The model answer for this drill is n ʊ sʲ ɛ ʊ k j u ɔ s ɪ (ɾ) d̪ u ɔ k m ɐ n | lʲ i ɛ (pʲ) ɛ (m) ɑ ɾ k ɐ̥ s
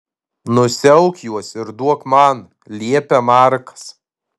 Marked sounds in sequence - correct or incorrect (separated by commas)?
correct, correct, correct